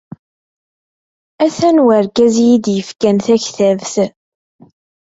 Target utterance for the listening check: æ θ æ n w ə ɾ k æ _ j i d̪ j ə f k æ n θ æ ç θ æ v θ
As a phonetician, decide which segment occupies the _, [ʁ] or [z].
z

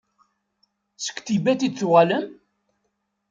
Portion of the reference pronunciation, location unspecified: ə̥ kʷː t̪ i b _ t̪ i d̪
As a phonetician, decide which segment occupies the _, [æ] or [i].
æ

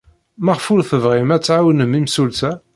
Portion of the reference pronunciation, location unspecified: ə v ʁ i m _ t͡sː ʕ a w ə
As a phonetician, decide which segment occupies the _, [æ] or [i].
æ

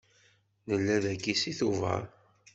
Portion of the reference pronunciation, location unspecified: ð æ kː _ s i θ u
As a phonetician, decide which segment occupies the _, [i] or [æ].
i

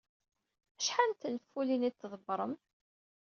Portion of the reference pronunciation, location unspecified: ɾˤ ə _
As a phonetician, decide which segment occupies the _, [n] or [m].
m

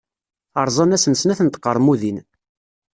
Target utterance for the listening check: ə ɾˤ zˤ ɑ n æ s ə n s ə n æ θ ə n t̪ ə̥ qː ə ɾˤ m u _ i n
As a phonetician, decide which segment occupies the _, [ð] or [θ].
ð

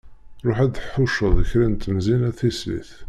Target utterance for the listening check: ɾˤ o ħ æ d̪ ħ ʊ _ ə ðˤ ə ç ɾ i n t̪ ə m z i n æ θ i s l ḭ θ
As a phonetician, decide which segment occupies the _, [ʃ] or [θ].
ʃ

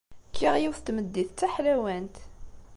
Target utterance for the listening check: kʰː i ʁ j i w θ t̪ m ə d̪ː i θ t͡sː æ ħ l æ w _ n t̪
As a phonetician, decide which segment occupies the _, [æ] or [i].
æ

